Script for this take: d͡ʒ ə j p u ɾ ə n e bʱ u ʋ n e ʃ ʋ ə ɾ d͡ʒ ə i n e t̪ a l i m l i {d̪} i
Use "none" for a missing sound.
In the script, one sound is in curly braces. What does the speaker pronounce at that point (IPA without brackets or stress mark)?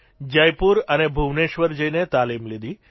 d̪